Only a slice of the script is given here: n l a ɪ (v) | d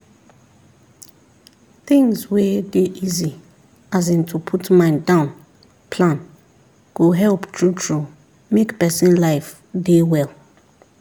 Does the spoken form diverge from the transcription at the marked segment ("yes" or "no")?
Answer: yes